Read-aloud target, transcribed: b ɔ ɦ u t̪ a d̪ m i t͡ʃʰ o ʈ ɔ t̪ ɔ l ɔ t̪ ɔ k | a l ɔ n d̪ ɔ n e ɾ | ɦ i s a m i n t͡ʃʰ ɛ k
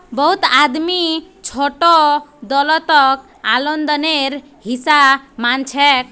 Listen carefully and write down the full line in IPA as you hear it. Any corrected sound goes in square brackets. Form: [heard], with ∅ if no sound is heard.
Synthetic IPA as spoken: b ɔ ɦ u t̪ a d̪ m i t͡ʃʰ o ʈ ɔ [d̪] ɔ l ɔ t̪ ɔ k | a l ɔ n d̪ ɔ n e ɾ | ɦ i s a m [a] n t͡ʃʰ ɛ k